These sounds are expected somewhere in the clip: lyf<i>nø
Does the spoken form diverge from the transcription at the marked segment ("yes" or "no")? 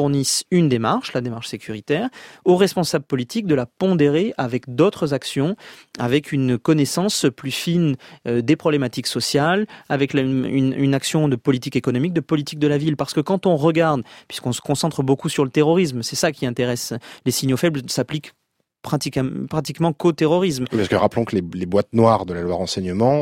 no